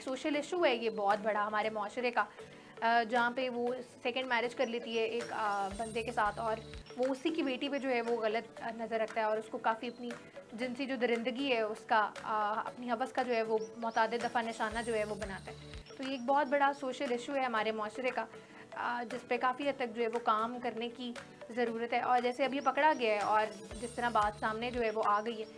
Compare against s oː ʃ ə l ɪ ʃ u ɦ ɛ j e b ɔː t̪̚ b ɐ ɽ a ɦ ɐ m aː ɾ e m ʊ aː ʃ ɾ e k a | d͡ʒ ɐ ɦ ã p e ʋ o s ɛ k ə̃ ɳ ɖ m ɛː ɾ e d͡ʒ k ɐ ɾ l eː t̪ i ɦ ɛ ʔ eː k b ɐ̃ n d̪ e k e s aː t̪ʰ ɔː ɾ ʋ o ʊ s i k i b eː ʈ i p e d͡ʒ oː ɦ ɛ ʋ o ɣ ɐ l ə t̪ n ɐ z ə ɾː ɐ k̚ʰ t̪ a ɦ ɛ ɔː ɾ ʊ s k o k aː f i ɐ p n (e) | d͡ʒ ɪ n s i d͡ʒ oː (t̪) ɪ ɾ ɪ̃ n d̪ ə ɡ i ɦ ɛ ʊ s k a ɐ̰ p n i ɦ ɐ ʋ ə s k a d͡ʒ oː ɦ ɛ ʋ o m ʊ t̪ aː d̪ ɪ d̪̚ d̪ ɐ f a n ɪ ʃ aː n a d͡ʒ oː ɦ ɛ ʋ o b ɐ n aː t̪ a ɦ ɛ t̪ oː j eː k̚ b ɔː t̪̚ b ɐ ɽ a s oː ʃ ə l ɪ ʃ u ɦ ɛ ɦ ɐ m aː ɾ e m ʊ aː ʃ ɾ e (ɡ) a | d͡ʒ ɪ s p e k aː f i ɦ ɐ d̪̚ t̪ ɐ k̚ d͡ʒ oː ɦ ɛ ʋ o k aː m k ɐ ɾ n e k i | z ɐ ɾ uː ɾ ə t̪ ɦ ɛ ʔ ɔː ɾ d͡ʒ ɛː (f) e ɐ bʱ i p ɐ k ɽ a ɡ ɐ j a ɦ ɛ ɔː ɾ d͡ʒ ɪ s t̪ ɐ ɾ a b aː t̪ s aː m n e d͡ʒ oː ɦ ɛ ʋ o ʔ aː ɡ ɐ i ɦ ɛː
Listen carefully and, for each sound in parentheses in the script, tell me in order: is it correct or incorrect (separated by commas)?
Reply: incorrect, incorrect, incorrect, incorrect